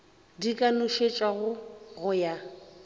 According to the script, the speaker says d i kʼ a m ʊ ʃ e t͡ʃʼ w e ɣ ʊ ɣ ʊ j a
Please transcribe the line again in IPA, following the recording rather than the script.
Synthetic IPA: d i kʼ a n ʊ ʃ e t͡ʃʼ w a ɣ ʊ ɣ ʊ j a